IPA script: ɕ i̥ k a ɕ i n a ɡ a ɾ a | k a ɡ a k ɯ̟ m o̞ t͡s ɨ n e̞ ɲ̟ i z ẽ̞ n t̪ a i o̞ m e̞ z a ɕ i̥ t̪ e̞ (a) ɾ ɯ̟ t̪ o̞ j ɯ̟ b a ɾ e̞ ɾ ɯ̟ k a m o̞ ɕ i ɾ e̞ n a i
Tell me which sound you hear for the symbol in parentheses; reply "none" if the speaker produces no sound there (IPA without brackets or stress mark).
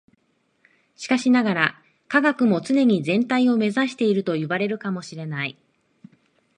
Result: i